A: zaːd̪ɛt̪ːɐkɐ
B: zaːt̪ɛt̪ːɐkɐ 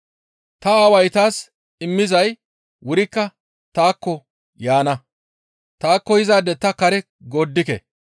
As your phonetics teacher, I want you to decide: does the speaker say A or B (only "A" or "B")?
A